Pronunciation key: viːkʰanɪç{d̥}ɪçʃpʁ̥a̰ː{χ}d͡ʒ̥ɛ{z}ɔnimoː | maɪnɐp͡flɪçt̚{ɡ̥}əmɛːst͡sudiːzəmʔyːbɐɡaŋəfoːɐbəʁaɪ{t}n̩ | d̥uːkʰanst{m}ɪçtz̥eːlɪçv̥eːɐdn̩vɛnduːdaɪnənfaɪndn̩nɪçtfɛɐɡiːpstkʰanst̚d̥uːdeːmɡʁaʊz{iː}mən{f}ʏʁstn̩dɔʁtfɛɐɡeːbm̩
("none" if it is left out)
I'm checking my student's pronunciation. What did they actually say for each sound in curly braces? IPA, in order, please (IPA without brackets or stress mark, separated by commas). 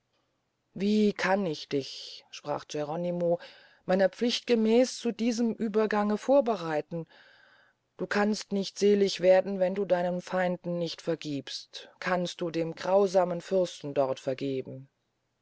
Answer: d̥, χ, ʁ, ɡ̥, t, n, aː, f